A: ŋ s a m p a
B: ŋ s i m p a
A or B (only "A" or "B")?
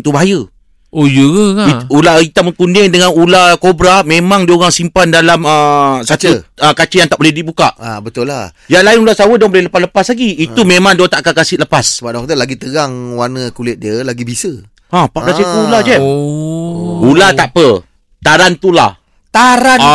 B